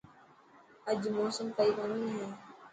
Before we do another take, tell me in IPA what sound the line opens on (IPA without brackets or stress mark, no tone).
ə